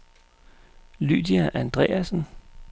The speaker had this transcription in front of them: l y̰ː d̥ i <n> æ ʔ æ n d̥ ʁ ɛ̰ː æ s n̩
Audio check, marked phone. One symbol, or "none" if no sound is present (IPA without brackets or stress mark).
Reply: none